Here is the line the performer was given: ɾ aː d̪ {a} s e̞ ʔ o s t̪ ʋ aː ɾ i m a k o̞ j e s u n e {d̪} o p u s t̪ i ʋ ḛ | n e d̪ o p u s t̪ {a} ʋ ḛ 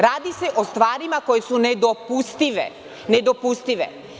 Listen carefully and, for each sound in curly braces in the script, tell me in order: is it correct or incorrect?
incorrect: i, correct, incorrect: i

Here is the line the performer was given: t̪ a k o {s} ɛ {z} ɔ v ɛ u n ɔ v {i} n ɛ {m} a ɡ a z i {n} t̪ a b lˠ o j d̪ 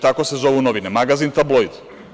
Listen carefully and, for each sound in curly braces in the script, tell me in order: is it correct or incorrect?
correct, correct, correct, correct, correct

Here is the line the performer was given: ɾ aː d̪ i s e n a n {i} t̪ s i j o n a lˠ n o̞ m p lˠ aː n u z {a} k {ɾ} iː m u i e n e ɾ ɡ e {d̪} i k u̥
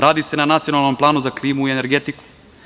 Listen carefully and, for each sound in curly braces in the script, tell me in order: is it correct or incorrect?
incorrect: a, correct, incorrect: l, incorrect: t̪

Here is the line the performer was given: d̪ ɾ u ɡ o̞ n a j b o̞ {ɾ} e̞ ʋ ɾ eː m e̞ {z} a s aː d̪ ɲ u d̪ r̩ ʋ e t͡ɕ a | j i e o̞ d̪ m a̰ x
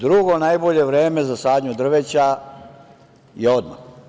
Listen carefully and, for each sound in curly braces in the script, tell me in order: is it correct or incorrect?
incorrect: ʎ, correct

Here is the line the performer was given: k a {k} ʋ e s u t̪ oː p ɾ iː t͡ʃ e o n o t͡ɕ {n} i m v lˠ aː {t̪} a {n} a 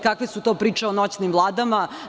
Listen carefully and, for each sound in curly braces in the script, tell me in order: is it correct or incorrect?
correct, correct, incorrect: d̪, incorrect: m

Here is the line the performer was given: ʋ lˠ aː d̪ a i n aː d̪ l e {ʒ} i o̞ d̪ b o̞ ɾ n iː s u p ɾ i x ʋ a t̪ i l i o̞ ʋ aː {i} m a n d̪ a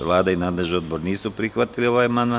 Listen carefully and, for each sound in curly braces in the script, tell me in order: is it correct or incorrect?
correct, incorrect: j

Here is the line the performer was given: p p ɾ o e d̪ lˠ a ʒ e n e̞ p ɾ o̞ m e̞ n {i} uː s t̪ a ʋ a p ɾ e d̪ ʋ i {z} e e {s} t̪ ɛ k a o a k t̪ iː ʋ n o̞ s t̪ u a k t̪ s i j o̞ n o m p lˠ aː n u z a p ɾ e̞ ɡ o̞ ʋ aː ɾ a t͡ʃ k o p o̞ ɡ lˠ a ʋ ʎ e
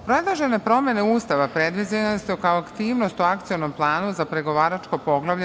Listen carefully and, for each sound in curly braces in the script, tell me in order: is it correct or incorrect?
incorrect: e, correct, correct

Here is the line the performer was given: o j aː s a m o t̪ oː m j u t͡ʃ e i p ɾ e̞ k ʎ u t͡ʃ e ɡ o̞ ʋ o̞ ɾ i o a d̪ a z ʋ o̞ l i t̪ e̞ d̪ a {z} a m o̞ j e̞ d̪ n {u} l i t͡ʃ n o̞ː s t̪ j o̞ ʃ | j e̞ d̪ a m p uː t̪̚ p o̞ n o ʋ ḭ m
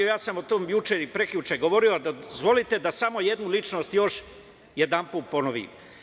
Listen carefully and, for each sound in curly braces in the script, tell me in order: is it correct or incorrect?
incorrect: s, correct

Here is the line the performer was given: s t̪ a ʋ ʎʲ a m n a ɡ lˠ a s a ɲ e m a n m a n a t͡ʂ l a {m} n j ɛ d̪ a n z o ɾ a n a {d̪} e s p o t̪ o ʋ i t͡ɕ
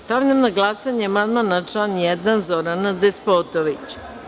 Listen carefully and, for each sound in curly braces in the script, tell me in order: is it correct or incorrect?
incorrect: none, correct

